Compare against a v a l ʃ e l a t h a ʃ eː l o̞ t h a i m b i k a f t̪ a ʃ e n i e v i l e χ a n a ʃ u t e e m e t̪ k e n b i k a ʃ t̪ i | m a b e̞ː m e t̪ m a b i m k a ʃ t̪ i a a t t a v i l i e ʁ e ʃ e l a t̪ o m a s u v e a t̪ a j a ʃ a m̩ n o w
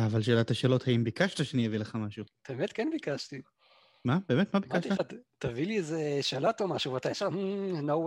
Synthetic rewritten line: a v a l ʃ e l a t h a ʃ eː l o̞ t h a i m b i k a ʃ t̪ a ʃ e n i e v i l e χ a m a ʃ u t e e m e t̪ k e n b i k a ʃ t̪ i | m a b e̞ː m e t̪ m a b i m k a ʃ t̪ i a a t t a v i l i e z e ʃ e l a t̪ o m a ʃ u v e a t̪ a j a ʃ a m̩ n o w